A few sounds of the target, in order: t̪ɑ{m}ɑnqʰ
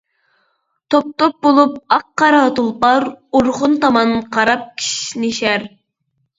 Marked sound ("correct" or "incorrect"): correct